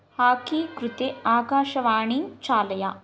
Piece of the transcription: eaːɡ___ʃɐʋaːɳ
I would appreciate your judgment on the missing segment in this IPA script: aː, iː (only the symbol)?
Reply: aː